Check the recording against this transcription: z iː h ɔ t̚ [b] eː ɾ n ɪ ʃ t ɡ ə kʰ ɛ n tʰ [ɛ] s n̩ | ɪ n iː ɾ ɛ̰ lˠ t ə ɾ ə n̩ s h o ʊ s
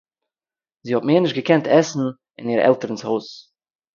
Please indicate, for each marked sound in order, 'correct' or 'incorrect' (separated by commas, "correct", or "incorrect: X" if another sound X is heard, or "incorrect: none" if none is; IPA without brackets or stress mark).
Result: incorrect: m, correct